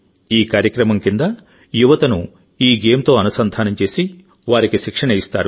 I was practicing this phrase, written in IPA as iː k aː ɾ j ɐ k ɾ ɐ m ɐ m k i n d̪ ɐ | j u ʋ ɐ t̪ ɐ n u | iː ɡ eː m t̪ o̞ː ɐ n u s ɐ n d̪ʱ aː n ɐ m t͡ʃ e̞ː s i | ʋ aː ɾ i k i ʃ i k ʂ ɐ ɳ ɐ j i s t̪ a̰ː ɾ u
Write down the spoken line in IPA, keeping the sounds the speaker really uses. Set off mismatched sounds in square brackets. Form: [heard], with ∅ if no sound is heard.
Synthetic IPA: iː k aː ɾ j ɐ k ɾ ɐ m ɐ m k i n d̪ ɐ | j u ʋ ɐ t̪ ɐ n u | iː ɡ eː m t̪ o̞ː ɐ n u s ɐ n d̪ʱ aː n ɐ m t͡ʃ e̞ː s i | ʋ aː ɾ i k i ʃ i k ʂ ɐ ɳ ɐ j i s t̪ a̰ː ɾ u